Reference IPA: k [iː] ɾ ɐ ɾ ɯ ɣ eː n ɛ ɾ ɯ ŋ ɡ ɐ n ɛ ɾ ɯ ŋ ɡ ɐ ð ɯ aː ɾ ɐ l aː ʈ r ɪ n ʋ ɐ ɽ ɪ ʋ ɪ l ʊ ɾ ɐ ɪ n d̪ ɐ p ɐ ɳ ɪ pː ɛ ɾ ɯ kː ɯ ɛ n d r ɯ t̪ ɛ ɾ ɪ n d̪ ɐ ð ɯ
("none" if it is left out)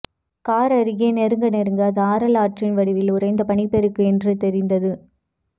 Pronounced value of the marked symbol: aː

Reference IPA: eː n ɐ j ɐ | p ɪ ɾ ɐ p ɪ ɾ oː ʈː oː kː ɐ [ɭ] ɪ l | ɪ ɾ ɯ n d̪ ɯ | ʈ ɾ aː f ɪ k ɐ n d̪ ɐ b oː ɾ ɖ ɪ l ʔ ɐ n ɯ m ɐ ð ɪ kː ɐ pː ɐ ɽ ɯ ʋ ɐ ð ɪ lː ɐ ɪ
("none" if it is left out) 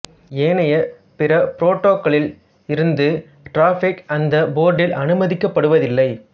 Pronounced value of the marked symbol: ɭ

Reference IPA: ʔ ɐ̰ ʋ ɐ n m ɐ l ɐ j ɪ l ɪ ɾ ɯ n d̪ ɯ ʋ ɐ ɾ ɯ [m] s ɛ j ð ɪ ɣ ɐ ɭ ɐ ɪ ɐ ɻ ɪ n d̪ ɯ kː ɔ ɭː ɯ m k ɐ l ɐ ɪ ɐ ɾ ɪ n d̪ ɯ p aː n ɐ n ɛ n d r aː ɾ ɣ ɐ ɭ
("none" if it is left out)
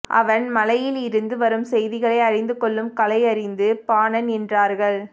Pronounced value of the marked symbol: m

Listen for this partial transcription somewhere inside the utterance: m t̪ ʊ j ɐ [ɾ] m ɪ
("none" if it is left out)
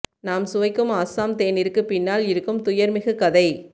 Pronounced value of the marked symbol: ɾ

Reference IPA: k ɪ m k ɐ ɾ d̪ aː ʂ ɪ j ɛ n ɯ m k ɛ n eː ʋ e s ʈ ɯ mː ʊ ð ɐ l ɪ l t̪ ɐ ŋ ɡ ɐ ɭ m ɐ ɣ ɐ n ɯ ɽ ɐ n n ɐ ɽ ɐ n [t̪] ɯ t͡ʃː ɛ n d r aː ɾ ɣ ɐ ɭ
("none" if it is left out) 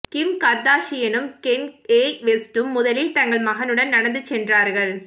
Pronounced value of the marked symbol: d̪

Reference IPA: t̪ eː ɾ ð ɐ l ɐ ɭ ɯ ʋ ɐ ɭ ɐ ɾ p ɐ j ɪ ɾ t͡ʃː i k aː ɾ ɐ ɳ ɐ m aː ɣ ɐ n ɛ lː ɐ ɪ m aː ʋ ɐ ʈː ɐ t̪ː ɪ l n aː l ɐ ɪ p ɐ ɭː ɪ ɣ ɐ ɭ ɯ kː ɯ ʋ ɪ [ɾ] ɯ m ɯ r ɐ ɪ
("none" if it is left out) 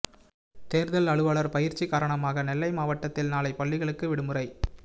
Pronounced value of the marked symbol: ɽ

